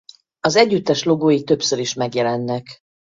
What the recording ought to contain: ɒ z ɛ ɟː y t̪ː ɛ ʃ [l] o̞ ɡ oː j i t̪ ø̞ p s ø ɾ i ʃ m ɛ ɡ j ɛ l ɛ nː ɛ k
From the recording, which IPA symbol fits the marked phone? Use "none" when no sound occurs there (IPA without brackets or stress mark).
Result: l